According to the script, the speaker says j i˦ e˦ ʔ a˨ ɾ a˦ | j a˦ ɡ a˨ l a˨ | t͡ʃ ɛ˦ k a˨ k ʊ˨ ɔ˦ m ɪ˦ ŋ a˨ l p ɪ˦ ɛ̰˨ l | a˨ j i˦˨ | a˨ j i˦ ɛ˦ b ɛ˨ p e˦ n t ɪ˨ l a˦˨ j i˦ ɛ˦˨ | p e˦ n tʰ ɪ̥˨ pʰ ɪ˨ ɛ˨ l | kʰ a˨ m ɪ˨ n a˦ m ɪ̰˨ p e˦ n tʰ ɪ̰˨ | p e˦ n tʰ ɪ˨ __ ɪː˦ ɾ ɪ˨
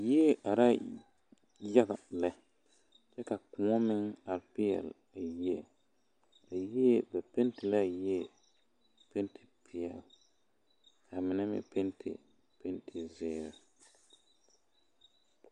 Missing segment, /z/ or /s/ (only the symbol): z